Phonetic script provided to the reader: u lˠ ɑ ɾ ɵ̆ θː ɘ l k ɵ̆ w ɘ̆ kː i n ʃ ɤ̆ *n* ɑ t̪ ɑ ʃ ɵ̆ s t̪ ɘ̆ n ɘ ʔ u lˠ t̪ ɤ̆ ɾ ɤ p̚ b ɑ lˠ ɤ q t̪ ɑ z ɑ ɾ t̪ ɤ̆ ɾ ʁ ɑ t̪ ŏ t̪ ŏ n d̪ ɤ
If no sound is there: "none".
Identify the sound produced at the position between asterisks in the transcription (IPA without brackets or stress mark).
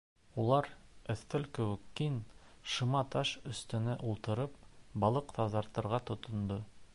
m